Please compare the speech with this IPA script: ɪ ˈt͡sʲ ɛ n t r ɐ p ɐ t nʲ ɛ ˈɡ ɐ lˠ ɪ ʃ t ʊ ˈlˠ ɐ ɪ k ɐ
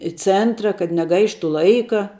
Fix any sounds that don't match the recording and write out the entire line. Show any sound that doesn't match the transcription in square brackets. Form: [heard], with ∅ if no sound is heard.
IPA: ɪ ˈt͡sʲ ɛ n t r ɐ [k] ɐ t nʲ ɛ ˈɡ ɐ [∅] ɪ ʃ t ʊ ˈlˠ ɐ ɪ k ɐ